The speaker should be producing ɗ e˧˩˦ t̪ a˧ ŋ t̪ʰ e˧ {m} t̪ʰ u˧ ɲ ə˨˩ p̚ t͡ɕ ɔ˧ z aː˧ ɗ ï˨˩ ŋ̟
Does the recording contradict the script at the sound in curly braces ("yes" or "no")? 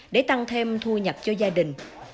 no